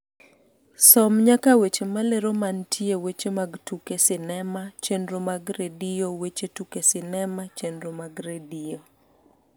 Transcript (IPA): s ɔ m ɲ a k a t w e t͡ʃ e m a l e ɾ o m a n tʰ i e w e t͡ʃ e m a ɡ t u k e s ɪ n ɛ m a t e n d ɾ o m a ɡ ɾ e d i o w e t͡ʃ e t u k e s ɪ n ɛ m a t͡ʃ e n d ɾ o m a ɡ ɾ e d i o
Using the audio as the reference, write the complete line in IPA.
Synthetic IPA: s ɔ m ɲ a k a w e t͡ʃ e m a l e ɾ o m a n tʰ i e w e t͡ʃ e m a ɡ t u k e s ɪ n ɛ m a t͡ʃ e n d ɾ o m a ɡ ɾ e d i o w e t͡ʃ e t u k e s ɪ n ɛ m a t͡ʃ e n d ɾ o m a ɡ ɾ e d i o

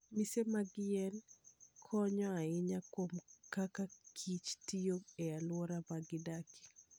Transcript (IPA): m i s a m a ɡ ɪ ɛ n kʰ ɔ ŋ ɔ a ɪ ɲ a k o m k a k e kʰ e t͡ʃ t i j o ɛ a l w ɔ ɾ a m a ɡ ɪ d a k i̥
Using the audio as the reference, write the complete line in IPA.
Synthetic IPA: m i s e m a ɡ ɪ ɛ n kʰ ɔ ɲ ɔ a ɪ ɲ a k o m k a k a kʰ i t͡ʃ t i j o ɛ a l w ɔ ɾ a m a ɡ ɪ d a k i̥

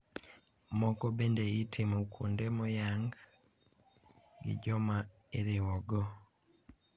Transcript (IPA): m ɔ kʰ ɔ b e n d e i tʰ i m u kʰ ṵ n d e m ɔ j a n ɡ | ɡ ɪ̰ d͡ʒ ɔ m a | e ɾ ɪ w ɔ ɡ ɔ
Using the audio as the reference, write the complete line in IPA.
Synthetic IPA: m ɔ k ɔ b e n d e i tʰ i m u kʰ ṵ n d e m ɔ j a ŋ ɡ | ɡ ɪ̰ d͡ʒ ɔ m a | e ɾ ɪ w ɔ ɡ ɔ

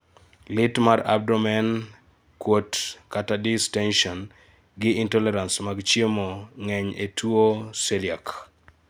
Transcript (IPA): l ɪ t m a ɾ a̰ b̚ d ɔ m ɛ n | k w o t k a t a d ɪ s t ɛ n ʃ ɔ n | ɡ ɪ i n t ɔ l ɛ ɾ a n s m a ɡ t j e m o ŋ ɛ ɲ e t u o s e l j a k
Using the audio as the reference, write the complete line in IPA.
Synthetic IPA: l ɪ t m a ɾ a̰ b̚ d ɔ m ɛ n | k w o t k a t a d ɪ s t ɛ n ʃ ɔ n | ɡ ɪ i n t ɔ l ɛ ɾ a n s m a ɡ t͡ʃ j e m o ŋ ɛ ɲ e t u o s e l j a k

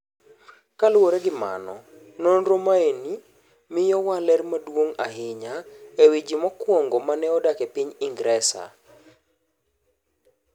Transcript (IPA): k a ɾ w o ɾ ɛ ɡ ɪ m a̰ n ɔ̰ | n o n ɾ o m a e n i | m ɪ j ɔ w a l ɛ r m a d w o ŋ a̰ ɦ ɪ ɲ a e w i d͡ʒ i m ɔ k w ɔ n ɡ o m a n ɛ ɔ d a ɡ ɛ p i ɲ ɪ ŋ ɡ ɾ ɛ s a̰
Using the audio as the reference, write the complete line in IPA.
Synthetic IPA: k a l w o ɾ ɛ ɡ ɪ m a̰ n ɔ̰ | n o n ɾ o m a e n i | m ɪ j ɔ w a l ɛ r m a d w o ŋ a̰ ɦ ɪ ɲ a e w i d͡ʒ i m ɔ k w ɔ ŋ ɡ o m a n ɛ ɔ d a k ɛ p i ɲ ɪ ŋ ɡ ɾ ɛ s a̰

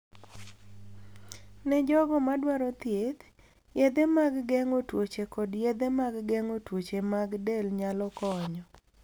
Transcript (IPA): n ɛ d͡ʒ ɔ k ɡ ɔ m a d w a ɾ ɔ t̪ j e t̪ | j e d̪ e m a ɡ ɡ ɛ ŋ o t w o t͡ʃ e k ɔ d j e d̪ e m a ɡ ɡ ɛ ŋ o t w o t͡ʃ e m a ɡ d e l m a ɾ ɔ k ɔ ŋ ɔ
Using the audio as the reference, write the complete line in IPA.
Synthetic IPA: n ɛ d͡ʒ ɔ ɡ ɔ m a d w a ɾ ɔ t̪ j e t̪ | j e d̪ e m a ɡ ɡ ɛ ŋ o t w o t͡ʃ e k ɔ d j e d̪ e m a ɡ ɡ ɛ ŋ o t w o t͡ʃ e m a ɡ d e l ɲ a l ɔ k ɔ ɲ ɔ

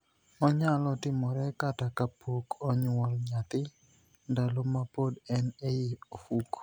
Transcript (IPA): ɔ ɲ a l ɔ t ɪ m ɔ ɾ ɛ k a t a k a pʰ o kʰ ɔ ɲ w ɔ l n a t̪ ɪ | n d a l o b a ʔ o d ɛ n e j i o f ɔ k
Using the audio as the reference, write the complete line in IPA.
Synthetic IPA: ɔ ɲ a l ɔ t ɪ m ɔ ɾ ɛ k a t a k a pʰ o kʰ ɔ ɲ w ɔ l ɲ a t̪ ɪ | n d a l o m a p o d ɛ n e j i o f u k

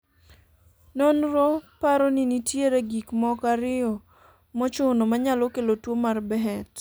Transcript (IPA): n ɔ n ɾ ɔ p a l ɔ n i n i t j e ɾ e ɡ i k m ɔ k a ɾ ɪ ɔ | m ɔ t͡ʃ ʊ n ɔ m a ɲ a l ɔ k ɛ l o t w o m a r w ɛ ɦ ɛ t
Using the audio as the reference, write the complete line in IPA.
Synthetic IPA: n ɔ n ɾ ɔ p a ɾ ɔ n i n i t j e ɾ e ɡ i k m ɔ k a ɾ ɪ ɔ | m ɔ t͡ʃ ʊ n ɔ m a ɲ a l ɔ k e l o t w o m a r b ɛ ɦ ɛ t

